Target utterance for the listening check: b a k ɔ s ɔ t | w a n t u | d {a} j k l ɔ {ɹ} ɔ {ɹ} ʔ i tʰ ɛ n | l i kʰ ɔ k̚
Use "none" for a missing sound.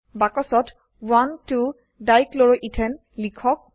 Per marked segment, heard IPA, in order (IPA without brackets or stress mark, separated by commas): a, ɹ, none